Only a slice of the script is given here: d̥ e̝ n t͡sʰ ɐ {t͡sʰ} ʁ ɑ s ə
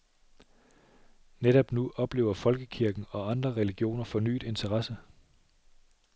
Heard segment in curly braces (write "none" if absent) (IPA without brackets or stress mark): none